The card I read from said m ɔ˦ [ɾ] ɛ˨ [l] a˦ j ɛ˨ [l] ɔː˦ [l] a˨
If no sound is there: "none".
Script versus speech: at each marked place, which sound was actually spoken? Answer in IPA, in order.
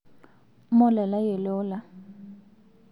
l, l, l, l

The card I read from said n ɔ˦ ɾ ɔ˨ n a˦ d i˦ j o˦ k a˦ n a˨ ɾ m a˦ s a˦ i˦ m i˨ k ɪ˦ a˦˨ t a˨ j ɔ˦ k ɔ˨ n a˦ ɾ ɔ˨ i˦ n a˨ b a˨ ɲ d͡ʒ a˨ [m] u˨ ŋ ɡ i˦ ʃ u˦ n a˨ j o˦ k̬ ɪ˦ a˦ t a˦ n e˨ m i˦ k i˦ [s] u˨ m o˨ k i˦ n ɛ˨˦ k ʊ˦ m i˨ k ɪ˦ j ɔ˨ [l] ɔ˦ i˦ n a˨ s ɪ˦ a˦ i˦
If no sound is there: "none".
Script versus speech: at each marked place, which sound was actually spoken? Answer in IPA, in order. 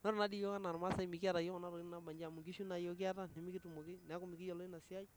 m, t, l

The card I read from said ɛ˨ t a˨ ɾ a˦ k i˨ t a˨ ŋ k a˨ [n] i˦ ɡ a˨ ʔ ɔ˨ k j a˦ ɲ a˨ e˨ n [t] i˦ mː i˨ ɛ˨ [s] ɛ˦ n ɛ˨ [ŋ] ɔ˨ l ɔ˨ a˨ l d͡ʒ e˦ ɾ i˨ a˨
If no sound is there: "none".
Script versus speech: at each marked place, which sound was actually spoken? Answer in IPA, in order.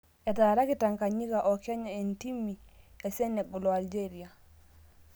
ɲ, t, s, ɡ

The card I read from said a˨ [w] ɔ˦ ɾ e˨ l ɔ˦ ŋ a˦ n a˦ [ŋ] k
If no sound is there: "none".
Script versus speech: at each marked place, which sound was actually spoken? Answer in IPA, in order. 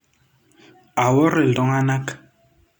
w, none

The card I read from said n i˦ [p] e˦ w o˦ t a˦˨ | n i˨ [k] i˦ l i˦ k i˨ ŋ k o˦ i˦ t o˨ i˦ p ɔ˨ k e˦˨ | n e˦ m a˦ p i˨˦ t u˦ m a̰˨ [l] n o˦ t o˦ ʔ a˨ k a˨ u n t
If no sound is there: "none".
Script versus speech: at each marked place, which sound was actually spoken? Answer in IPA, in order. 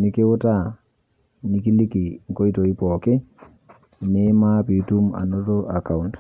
k, k, none

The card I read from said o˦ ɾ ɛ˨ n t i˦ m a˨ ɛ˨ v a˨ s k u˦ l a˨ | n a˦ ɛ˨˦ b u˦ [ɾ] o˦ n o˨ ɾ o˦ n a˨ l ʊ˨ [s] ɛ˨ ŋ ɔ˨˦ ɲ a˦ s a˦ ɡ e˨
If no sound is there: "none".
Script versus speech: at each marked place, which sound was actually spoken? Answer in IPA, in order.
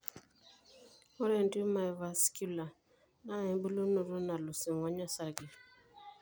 l, s

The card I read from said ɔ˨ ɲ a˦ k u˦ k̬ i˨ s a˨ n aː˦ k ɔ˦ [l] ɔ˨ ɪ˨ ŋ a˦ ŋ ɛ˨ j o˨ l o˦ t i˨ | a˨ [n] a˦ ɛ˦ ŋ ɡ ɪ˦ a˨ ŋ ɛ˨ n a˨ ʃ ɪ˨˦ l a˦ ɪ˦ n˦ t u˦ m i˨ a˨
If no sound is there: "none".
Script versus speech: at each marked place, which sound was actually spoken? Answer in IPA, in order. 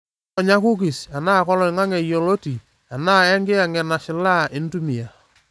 l, n

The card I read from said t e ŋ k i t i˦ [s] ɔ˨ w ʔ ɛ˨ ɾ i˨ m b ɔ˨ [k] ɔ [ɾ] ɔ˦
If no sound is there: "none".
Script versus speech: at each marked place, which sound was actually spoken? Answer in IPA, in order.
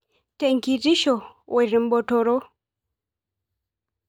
ʃ, t, ɾ

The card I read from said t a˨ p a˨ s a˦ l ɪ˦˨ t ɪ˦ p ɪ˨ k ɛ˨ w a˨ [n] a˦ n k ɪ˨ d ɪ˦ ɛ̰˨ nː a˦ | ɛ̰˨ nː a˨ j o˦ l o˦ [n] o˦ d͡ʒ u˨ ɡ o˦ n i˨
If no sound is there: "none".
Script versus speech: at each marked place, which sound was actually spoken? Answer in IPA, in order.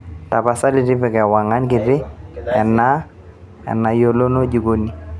ŋ, n

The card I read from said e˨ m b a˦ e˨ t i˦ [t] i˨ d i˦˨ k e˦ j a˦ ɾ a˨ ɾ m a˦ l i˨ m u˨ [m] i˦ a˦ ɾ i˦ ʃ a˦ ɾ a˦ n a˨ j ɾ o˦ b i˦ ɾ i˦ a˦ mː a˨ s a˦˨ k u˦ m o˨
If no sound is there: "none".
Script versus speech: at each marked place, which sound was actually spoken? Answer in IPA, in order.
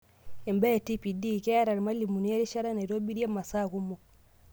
p, n

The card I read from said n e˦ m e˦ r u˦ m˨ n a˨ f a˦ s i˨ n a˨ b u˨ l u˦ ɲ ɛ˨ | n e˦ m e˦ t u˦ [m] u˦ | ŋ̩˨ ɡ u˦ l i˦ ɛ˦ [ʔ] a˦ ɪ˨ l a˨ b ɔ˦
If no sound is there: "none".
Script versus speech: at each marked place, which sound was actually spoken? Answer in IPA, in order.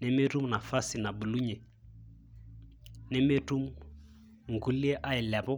m, ʔ

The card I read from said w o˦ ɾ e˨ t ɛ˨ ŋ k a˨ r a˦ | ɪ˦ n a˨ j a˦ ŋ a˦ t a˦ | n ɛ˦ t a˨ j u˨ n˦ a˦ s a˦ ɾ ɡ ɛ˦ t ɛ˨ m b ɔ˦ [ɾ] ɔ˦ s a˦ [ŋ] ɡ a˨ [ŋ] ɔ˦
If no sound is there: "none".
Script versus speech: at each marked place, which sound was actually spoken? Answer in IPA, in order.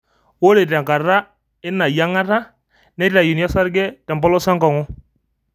l, ŋ, ŋ

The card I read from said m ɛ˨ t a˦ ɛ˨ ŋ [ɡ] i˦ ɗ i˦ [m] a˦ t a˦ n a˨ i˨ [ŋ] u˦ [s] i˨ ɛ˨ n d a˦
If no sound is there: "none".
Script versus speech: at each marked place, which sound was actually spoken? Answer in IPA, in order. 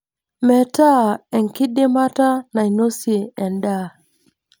k, m, n, s

